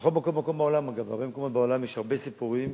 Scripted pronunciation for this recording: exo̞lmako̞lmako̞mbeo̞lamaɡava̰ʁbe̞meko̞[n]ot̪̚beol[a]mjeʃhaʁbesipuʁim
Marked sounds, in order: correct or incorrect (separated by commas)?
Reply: incorrect, correct